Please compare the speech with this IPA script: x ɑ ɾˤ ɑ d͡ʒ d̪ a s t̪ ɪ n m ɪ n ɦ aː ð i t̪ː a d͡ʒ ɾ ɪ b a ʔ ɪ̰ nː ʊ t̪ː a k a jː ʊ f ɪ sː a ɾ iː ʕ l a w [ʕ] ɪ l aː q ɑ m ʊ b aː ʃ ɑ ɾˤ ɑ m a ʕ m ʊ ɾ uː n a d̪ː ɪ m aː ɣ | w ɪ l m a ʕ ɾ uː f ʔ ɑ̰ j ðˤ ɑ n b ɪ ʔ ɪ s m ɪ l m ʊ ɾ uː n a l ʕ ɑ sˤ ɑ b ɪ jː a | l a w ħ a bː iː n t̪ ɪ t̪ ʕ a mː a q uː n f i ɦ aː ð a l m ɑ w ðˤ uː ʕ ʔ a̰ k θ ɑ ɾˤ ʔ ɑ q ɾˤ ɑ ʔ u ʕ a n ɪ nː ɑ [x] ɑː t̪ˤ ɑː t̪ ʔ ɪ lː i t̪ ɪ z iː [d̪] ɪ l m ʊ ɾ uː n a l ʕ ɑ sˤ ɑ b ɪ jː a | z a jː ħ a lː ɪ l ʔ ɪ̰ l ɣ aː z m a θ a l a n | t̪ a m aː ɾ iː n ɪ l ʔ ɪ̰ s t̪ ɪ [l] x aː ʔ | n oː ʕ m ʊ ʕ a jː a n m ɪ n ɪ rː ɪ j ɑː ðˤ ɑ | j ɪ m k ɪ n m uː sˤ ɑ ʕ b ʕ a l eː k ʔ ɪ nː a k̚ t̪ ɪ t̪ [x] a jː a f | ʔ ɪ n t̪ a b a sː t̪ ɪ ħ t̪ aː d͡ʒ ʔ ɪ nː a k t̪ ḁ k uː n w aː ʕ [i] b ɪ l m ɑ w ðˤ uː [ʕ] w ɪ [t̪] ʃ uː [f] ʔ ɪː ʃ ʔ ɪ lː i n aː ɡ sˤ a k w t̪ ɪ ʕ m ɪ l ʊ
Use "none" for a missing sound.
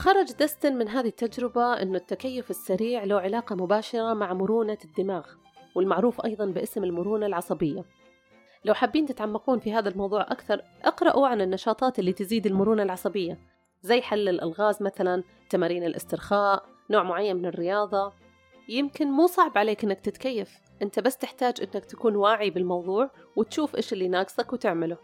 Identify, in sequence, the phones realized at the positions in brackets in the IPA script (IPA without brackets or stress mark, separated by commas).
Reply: ʕ, ʃ, d̪, ɾ, k, i, ʕ, t̪, f